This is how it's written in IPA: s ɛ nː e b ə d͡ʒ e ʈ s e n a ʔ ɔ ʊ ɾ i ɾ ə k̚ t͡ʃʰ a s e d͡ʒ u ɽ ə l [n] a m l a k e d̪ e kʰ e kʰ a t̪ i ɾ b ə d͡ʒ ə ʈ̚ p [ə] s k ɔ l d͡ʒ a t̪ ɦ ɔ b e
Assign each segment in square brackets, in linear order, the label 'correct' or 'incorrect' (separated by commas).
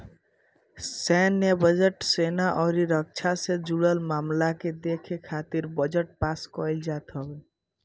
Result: incorrect, incorrect